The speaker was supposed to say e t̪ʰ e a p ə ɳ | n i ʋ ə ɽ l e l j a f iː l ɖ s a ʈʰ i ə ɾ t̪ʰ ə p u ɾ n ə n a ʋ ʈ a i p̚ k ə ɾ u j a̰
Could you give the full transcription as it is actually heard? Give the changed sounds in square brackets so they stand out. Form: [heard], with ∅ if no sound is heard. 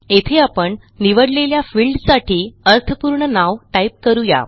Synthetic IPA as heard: e t̪ʰ e a p ə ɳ | n i ʋ ə ɽ l e l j a f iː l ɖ s a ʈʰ [iː] ə ɾ t̪ʰ ə p u ɾ [ɳ] ə n a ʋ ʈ a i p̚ k ə ɾ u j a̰